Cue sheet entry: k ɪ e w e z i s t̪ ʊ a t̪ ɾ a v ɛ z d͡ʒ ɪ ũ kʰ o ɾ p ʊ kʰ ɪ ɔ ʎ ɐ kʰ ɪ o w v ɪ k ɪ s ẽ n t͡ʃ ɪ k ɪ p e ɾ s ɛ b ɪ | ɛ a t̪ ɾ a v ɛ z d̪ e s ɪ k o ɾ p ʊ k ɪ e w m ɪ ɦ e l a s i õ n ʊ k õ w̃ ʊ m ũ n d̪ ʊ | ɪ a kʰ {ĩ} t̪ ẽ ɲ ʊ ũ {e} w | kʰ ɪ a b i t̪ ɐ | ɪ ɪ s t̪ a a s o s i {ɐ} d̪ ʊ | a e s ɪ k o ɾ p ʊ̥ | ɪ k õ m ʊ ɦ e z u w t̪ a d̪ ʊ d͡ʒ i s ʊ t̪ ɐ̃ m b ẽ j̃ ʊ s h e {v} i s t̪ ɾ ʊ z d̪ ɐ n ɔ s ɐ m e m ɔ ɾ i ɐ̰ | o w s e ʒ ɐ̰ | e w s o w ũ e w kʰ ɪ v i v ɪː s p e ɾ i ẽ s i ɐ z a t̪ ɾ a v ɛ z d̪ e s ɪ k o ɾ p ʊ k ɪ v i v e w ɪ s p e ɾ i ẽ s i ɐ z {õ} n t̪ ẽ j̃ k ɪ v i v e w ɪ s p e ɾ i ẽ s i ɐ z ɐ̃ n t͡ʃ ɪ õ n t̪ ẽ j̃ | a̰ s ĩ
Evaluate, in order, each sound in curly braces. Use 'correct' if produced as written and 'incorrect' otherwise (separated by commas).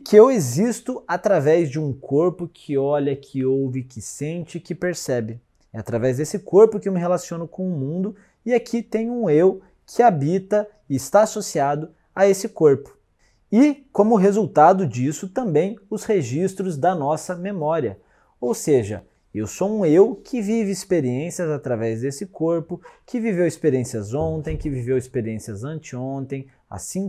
incorrect, correct, incorrect, incorrect, correct